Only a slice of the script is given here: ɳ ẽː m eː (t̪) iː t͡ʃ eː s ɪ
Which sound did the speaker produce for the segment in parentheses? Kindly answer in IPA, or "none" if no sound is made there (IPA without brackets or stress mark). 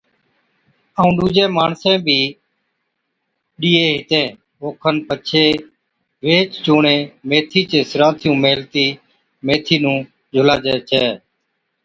t̪ʰ